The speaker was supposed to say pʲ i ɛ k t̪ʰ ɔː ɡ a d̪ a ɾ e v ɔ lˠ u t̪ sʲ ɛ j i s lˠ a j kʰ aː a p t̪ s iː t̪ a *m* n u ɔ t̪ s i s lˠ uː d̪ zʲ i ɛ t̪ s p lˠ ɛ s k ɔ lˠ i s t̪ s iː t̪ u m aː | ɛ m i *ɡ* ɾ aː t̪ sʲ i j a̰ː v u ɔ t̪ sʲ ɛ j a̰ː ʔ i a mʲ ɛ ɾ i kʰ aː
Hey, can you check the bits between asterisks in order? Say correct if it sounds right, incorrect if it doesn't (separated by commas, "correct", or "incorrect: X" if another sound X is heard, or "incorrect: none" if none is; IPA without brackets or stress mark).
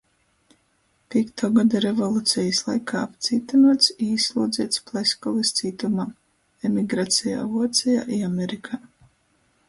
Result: incorrect: none, correct